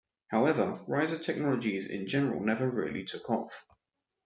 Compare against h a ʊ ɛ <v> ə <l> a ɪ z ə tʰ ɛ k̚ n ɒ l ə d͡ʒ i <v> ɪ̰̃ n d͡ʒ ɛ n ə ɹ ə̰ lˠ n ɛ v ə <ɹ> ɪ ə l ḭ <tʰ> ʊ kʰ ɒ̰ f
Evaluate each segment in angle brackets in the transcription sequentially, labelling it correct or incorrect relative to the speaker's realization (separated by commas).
correct, incorrect, incorrect, correct, correct